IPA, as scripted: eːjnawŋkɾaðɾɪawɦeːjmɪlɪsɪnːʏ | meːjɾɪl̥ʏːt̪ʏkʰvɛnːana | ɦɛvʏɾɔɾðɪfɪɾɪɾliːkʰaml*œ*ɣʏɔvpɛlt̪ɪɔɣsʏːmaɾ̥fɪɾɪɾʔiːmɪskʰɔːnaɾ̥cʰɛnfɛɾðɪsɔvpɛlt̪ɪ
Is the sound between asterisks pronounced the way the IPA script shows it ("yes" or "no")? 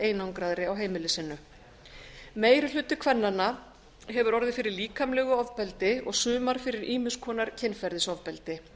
no